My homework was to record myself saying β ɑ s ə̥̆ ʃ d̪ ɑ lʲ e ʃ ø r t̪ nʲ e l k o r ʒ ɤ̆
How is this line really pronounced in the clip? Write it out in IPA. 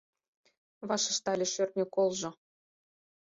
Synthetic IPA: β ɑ ʃ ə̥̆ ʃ t̪ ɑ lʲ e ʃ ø r t̪ nʲ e k o l ʒ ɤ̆